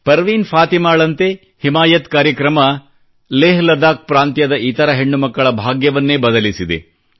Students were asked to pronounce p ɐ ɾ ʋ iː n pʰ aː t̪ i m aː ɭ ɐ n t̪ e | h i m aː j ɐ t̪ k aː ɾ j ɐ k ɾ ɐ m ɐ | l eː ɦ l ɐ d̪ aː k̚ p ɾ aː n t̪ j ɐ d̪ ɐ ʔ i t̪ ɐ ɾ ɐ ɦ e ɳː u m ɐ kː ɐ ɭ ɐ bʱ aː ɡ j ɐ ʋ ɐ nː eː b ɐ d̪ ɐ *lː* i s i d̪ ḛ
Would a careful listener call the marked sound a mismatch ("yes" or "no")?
yes